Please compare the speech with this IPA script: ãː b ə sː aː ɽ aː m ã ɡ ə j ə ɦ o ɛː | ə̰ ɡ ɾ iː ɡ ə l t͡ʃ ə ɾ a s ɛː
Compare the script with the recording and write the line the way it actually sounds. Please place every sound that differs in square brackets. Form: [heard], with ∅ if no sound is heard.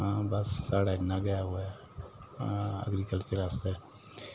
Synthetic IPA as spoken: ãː b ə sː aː ɽ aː [n] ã ɡ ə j [a] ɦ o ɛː | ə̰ ɡ ɾ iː [k] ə l t͡ʃ ə ɾ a s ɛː